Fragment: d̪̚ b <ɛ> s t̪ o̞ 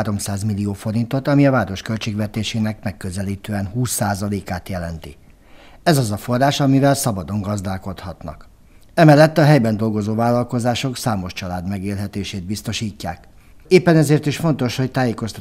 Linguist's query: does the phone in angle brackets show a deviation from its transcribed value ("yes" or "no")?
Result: yes